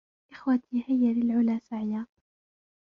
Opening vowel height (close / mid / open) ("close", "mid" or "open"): close